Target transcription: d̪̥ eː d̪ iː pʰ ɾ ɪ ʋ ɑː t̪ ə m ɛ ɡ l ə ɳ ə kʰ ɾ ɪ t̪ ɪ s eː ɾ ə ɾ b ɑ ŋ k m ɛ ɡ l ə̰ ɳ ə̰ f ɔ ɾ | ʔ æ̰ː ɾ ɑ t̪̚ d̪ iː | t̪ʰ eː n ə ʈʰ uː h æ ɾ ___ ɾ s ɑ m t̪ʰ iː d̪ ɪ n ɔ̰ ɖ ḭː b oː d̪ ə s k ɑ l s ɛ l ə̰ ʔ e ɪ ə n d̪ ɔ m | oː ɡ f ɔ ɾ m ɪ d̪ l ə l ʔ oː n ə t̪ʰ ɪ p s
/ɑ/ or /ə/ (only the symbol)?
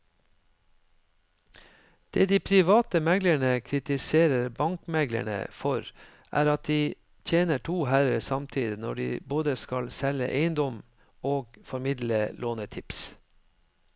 ə